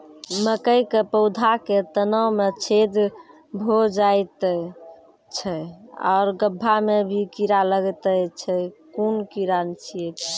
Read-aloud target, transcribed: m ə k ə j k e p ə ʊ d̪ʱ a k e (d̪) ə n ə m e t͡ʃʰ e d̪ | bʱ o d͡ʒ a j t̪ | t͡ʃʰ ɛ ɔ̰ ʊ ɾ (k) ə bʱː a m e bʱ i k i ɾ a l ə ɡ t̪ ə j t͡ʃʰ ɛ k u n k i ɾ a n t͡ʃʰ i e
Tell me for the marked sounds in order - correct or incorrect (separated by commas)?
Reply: incorrect, incorrect